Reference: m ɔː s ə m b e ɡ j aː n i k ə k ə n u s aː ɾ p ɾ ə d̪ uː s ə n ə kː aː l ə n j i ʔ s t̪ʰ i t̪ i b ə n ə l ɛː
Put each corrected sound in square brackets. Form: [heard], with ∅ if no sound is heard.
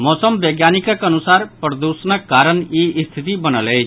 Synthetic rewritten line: m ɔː s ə m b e ɡ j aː n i k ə k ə n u s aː ɾ p ɾ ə d̪ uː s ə n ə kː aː [ɾ] ə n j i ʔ s t̪ʰ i t̪ i b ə n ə l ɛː